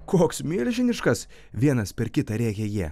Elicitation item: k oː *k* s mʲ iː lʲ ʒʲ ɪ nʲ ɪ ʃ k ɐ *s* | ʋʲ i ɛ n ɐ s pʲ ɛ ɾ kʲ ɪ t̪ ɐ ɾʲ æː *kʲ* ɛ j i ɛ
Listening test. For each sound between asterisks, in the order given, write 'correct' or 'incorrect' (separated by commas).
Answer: correct, correct, correct